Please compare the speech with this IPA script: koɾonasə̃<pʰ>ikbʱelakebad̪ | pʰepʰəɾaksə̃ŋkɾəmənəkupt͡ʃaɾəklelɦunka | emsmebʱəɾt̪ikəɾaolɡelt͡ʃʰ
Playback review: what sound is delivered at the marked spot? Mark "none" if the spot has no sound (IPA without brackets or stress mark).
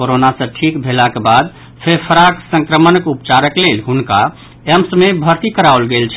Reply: ʈʰ